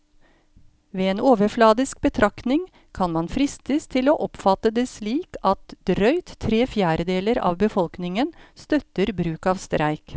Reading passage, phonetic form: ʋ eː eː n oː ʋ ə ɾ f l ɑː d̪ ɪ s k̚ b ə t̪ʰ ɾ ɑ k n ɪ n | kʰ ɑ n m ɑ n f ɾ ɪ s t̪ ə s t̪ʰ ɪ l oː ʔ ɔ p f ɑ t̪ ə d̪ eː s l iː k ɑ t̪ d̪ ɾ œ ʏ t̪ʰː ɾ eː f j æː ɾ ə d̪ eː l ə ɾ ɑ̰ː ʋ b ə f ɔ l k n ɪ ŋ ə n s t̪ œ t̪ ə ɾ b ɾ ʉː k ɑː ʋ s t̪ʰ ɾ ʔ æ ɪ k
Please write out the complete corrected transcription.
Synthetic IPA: ʋ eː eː n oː ʋ ə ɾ f l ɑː d̪ ɪ s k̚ b ə t̪ʰ ɾ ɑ k n ɪ ŋ | kʰ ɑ n m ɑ n f ɾ ɪ s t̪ ə s t̪ʰ ɪ l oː ʔ ɔ p f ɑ t̪ ə d̪ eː s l iː k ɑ t̪ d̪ ɾ œ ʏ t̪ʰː ɾ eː f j æː ɾ ə d̪ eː l ə ɾ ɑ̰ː ʋ b ə f ɔ l k n ɪ ŋ ə n s t̪ œ t̪ ə ɾ b ɾ ʉː k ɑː ʋ s t̪ ɾ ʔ æ ɪ k